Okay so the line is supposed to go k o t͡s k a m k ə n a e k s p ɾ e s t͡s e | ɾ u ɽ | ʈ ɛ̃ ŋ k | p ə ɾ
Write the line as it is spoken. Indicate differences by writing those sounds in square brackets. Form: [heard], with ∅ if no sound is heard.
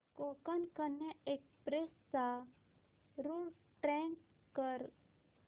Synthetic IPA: k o [∅] k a [n] k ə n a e k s p ɾ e s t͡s [a] | ɾ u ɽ | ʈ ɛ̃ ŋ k | [k] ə ɾ